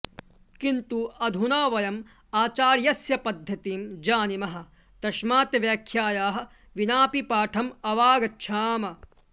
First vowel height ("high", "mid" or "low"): high